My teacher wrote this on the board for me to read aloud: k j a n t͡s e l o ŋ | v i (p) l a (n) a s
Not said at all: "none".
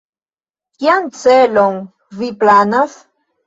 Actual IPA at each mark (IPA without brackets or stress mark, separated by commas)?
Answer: p, n